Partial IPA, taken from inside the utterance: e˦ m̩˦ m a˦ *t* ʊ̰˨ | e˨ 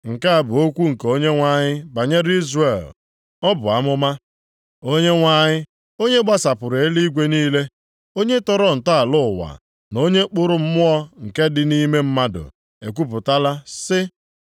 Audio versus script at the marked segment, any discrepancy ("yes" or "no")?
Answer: yes